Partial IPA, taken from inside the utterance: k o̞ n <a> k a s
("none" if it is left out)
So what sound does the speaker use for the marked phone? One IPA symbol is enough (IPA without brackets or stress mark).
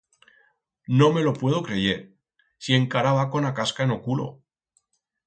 a